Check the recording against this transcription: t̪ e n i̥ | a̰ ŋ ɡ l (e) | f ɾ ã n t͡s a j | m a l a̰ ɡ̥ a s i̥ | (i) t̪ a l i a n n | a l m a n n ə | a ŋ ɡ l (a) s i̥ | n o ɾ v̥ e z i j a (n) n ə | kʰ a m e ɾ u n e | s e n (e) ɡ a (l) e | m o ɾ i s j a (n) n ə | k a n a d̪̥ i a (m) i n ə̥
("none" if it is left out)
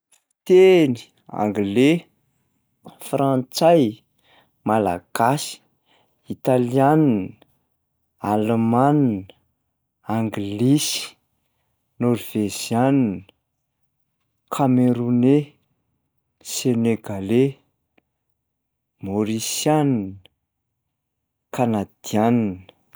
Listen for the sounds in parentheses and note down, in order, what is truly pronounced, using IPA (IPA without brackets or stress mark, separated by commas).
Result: e, i, i, n, e, l, n, n